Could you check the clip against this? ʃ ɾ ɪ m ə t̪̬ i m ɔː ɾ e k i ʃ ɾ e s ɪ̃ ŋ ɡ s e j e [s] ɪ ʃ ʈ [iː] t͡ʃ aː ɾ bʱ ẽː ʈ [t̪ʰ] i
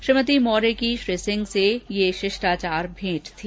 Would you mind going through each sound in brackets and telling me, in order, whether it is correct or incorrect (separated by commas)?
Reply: incorrect, incorrect, correct